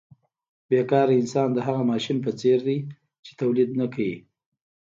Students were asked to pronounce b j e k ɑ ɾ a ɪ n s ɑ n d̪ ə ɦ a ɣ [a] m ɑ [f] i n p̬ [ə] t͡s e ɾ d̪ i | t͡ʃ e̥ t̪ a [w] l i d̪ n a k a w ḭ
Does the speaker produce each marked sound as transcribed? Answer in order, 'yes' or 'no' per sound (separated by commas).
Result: yes, no, yes, yes